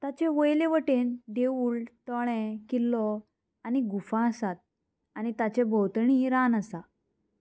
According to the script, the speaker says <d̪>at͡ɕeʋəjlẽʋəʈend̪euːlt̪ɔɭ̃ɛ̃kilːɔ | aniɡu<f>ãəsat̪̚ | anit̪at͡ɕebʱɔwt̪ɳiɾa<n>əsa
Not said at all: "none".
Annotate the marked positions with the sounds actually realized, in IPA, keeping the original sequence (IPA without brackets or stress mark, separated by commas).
t̪, f, n